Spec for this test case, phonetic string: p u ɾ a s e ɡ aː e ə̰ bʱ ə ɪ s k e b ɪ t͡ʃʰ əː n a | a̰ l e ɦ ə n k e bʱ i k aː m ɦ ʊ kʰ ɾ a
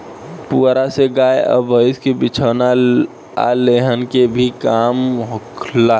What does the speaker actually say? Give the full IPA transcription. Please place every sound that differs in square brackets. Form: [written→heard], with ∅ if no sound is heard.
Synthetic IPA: p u ɾ a s e ɡ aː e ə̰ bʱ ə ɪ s k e b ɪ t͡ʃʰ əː n a | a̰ l e ɦ ə n k e bʱ i k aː m ɦ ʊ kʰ [ɾ→l] a